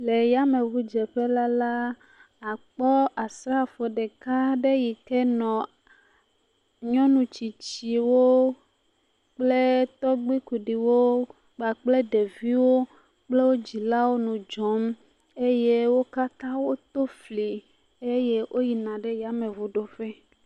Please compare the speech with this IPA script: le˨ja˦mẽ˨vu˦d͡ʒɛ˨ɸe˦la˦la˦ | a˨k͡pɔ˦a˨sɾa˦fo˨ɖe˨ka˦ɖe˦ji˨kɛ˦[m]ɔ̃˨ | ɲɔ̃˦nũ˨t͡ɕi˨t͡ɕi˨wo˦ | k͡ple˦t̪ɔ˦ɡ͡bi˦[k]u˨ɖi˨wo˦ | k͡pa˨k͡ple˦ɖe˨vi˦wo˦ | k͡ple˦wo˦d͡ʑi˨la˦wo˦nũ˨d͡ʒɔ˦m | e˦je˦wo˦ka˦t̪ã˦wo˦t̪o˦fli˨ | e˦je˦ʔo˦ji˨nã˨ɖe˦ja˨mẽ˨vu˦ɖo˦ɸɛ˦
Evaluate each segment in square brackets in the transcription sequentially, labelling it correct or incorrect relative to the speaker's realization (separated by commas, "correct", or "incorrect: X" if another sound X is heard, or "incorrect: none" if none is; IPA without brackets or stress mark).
incorrect: n, correct